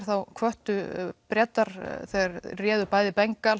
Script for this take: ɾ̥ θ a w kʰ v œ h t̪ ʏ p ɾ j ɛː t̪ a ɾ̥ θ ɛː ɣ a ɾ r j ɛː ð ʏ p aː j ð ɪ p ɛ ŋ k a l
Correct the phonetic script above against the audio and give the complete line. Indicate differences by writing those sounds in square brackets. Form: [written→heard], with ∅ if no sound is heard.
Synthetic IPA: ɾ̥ θ a w kʰ v œ h t̪ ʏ p ɾ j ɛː t̪ a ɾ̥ θ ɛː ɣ a ɾ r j ɛː ð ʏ p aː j ð ɪ p ɛ ŋ k a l